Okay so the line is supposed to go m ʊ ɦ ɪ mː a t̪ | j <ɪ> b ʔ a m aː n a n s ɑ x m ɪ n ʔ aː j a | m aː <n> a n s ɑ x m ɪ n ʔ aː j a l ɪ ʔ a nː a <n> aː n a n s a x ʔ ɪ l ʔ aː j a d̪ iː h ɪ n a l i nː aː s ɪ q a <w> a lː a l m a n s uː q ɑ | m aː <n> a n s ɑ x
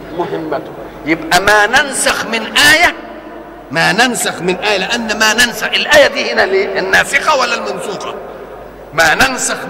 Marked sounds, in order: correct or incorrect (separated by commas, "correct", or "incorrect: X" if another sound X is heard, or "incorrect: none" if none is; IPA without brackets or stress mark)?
correct, correct, incorrect: m, correct, correct